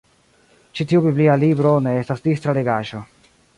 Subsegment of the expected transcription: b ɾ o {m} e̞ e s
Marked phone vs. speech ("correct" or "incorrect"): incorrect